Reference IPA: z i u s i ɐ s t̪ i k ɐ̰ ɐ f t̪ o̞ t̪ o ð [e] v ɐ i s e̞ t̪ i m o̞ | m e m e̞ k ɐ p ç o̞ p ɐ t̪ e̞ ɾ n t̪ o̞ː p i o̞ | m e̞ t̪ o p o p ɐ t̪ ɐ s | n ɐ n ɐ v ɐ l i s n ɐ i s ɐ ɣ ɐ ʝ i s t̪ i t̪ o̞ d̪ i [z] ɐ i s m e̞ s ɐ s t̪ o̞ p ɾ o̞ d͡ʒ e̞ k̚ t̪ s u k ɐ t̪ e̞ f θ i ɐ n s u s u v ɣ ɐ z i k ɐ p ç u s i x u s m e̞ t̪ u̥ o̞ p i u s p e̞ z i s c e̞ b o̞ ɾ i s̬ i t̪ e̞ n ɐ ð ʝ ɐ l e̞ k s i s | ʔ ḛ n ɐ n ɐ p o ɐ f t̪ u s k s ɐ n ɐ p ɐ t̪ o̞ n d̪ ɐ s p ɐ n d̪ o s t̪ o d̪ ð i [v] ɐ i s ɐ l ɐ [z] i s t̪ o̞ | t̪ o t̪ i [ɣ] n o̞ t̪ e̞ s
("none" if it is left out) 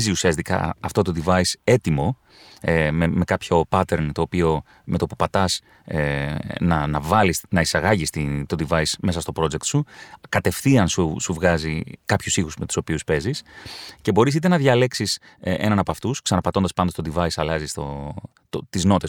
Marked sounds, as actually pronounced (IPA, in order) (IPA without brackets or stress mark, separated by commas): i, v, v, z, z